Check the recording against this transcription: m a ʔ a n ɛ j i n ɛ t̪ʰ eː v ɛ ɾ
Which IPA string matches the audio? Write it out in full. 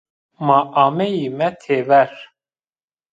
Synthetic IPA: m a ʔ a m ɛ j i m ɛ t̪ʰ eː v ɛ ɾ